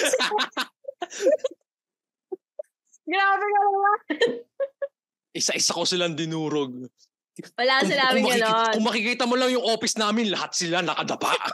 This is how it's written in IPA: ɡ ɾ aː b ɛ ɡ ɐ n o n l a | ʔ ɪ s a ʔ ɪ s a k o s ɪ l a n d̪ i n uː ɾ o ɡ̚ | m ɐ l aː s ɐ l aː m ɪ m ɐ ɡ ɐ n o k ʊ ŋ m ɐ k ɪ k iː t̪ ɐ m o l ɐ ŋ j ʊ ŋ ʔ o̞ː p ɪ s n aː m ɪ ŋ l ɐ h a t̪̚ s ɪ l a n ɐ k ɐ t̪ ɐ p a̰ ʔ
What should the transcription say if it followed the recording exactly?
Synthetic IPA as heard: ɡ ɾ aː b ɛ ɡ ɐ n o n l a | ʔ ɪ s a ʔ ɪ s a k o s ɪ l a n d̪ ɪ n uː ɾ o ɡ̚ | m ɐ l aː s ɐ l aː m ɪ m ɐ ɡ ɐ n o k ʊ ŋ m ɐ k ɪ k iː t̪ ɐ m o l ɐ ŋ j ʊ ŋ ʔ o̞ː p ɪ s n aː m ɪ n l ɐ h a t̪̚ s ɪ l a n ɐ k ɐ d̪ ɐ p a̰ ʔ